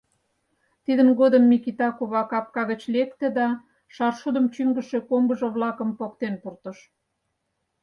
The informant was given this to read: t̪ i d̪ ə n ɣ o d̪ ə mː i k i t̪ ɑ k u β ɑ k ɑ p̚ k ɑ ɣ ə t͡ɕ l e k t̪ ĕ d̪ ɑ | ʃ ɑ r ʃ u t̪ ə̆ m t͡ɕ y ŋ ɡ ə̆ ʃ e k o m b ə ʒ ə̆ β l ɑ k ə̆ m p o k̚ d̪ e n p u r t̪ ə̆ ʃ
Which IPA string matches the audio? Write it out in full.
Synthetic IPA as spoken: t̪ i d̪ ə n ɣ o d̪ ə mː i k i t̪ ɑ k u β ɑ k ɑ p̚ k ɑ ɣ ə t͡ɕ l e k t̪ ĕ d̪ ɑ | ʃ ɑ r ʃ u d̪ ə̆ m t͡ɕ y ŋ ɡ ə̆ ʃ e k o m b ə ʒ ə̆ β l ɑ k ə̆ m p o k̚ t̪ e n p u r t̪ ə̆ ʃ